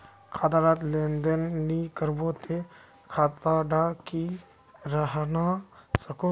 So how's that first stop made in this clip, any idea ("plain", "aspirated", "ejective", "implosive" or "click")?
aspirated